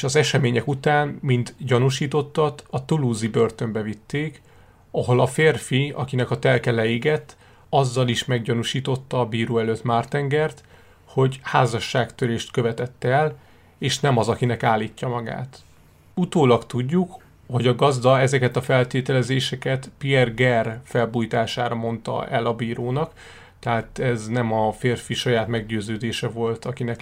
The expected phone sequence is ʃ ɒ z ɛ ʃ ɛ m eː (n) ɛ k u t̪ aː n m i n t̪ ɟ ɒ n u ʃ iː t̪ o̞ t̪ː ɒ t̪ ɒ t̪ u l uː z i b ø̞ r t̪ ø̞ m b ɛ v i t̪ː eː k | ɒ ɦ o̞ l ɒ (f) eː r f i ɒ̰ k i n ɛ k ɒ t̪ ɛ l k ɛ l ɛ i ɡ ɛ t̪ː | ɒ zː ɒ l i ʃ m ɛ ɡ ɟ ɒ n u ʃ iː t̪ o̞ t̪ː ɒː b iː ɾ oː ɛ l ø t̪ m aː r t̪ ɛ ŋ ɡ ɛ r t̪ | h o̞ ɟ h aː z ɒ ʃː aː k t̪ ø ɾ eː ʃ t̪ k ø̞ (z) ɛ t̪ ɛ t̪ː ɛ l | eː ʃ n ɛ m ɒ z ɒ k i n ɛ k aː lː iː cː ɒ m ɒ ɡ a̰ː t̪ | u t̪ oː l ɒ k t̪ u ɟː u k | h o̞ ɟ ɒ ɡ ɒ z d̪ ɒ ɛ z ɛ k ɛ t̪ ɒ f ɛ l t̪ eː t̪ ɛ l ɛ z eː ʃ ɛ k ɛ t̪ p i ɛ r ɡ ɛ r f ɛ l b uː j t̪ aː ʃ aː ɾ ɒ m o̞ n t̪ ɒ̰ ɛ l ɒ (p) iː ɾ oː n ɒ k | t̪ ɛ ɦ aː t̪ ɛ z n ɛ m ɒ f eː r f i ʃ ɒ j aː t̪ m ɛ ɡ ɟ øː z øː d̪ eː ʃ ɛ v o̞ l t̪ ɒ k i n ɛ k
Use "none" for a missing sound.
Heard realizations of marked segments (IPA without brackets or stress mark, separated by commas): ɲ, f, v, b